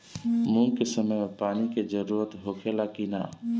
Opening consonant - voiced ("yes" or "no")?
yes